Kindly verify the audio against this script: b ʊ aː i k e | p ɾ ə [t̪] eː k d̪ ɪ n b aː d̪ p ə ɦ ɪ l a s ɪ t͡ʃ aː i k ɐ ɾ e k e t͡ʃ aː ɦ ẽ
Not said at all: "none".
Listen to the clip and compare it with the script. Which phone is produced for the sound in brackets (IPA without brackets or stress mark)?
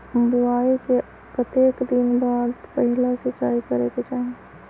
t̪